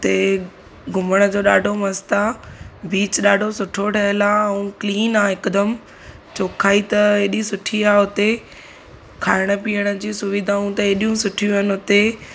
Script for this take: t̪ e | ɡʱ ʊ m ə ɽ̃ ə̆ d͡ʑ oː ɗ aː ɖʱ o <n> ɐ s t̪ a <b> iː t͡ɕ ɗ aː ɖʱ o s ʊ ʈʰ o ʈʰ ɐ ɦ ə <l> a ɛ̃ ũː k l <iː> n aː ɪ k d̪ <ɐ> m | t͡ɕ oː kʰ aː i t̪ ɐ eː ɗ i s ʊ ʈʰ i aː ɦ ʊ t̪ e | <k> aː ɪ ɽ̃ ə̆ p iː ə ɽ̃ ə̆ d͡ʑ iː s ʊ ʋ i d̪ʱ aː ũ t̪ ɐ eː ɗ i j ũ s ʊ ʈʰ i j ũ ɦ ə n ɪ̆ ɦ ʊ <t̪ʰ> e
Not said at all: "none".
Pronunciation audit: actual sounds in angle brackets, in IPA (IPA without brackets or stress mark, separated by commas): m, b, l, iː, ə, kʰ, t̪